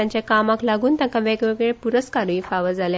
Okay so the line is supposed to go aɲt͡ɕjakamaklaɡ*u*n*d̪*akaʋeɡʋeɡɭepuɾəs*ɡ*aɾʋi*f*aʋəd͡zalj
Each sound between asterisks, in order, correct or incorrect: incorrect, incorrect, incorrect, correct

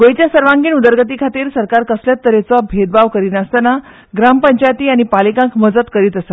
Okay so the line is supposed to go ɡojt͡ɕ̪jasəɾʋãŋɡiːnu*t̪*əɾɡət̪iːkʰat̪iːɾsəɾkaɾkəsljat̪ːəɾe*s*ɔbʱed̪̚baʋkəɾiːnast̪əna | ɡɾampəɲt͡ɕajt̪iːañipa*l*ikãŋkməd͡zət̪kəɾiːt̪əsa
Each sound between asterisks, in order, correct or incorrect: incorrect, incorrect, correct

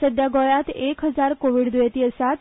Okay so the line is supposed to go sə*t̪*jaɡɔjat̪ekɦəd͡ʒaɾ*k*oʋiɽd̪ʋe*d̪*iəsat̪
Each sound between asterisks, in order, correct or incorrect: incorrect, correct, incorrect

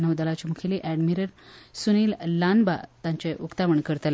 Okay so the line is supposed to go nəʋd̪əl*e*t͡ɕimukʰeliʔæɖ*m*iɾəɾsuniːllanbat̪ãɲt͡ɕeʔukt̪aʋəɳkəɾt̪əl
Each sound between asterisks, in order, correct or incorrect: incorrect, correct

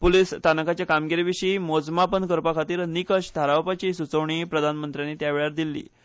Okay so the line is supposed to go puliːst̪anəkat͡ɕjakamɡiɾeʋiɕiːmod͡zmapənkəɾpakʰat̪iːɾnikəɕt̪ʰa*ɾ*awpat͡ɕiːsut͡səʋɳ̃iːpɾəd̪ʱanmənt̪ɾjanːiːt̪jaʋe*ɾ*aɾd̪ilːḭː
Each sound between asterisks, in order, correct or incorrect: correct, incorrect

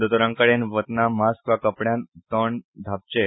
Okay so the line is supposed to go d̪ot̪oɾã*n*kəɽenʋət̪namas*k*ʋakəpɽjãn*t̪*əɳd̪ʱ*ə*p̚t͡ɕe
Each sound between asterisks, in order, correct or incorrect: incorrect, correct, correct, incorrect

